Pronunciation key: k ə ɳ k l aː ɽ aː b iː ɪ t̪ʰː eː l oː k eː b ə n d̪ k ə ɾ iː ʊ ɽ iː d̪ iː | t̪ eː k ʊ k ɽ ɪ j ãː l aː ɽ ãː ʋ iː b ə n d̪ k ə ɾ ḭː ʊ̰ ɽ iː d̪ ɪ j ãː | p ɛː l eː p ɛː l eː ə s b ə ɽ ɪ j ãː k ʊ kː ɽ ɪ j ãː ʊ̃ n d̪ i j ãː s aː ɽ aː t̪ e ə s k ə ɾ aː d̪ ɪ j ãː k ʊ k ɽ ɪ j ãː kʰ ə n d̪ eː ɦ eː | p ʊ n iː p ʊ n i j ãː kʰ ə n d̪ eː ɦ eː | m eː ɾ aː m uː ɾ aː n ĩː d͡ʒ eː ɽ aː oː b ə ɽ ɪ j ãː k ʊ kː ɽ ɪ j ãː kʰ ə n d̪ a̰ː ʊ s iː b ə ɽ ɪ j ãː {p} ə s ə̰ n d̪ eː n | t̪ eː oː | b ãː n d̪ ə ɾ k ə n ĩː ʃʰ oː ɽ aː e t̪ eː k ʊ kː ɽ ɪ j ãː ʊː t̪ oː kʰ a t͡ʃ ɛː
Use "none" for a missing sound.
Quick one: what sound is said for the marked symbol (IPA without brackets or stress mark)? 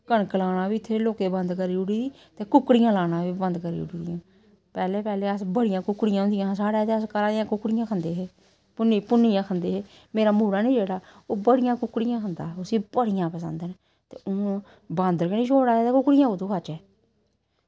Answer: p